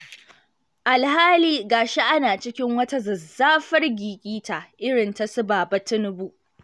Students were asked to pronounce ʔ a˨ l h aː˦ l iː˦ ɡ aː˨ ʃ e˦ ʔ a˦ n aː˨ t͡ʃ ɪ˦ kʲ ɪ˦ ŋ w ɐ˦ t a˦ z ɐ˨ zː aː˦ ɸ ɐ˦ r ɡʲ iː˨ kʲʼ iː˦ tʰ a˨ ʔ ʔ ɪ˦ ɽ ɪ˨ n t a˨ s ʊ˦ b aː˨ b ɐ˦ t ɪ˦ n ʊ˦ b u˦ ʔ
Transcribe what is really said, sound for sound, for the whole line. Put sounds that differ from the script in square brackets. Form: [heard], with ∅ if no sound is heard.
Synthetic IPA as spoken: ʔ a˨ l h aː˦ l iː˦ ɡ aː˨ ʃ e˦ ʔ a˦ n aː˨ t͡ʃ ɪ˦ kʲ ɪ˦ ŋ w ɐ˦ t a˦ z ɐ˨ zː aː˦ ɸ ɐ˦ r ɡʲ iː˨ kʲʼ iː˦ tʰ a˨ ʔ ʔ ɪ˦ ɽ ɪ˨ n t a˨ s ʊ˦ b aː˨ b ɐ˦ t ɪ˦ n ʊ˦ b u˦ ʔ